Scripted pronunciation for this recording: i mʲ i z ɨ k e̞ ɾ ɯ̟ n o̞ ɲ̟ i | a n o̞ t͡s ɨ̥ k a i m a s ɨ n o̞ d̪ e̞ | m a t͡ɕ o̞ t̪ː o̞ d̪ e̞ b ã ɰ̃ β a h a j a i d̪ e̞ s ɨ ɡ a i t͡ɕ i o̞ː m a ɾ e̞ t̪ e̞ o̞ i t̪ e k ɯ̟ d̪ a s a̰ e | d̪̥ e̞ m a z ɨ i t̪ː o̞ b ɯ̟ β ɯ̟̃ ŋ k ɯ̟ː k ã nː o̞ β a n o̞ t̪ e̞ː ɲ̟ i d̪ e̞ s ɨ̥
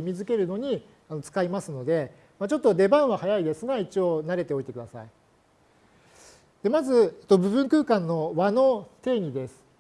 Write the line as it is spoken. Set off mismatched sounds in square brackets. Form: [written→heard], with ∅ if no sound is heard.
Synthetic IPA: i mʲ i z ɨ k e̞ ɾ ɯ̟ n o̞ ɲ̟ i | a n o̞ t͡s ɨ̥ k a i m a s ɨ n o̞ d̪ e̞ | m a t͡ɕ o̞ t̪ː o̞ d̪ e̞ b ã ɰ̃ β a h a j a i d̪ e̞ s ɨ ɡ a i t͡ɕ i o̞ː [m→n] a ɾ e̞ t̪ e̞ o̞ i t̪ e k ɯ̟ d̪ a s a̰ [e→i] | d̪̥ e̞ m a z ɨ [i→e] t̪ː o̞ b ɯ̟ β ɯ̟̃ ŋ k ɯ̟ː k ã nː o̞ β a n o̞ t̪ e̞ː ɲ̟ i d̪ e̞ s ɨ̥